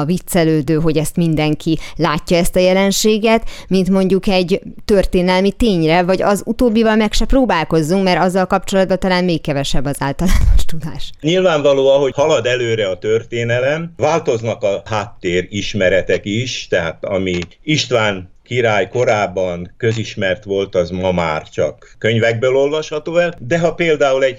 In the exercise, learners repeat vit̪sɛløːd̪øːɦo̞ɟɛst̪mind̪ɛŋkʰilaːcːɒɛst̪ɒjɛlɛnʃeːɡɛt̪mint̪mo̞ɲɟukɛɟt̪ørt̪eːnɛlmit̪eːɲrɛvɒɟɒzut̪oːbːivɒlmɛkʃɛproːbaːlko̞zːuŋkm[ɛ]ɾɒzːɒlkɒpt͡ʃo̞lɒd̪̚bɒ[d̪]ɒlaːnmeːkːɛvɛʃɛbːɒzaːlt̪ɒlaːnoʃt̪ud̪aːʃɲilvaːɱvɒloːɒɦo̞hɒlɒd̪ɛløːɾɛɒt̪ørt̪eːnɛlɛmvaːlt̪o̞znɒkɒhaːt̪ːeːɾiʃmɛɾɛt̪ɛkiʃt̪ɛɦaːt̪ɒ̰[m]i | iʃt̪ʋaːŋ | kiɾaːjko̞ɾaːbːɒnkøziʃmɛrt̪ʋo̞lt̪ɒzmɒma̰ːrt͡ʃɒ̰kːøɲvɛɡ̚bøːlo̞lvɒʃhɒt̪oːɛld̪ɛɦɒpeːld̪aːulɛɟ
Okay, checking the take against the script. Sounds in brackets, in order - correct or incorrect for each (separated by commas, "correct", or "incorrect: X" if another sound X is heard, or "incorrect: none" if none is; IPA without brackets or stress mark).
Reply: correct, incorrect: t̪, correct